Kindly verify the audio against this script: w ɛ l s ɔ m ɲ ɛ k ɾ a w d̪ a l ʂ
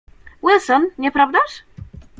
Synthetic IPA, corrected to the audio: w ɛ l s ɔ n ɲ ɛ p ɾ a v d̪ a ʂ